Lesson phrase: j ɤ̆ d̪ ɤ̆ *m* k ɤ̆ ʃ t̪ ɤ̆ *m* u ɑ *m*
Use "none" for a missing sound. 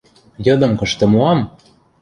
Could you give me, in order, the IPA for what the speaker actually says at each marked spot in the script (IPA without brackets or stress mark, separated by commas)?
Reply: m, m, m